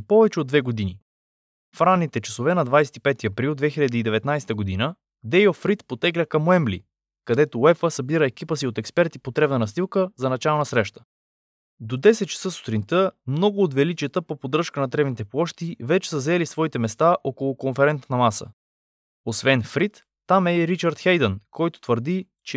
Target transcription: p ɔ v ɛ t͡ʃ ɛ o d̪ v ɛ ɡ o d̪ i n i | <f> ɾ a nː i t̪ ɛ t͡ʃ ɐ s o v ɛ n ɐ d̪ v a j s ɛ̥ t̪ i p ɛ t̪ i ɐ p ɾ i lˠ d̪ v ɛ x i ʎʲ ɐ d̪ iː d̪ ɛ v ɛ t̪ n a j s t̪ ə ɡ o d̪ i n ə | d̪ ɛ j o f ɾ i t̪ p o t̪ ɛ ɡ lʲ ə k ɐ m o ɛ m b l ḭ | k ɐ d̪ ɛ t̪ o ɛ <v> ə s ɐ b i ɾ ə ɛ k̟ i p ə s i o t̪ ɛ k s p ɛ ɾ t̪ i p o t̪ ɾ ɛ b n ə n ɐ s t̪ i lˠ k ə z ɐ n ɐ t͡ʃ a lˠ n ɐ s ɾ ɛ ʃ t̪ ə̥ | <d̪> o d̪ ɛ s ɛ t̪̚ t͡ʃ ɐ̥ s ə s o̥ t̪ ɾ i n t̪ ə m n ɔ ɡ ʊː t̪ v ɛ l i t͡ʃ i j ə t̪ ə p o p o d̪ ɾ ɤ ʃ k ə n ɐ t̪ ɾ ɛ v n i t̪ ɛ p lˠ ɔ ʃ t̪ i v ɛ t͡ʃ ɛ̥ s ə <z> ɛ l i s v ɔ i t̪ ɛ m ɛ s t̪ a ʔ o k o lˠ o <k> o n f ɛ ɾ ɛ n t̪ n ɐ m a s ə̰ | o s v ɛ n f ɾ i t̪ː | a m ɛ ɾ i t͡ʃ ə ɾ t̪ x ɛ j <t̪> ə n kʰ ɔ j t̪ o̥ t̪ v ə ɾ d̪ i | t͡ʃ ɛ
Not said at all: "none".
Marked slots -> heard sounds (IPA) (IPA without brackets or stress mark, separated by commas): f, f, d̪, z, k, d̪